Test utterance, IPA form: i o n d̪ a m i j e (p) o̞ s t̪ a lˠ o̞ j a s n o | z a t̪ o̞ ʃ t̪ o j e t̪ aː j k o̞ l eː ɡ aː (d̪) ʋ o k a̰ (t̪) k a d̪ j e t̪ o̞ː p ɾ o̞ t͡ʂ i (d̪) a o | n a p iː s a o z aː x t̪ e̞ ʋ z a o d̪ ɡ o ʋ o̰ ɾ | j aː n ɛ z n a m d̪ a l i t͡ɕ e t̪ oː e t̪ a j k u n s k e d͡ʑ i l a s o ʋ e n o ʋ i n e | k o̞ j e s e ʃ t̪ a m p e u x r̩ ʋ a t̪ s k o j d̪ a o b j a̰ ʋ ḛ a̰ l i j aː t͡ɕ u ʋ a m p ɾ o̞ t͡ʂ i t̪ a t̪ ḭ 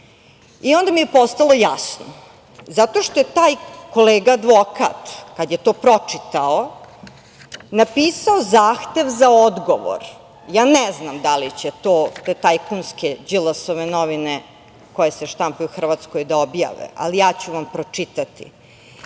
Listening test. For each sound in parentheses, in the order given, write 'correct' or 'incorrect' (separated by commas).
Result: correct, correct, correct, incorrect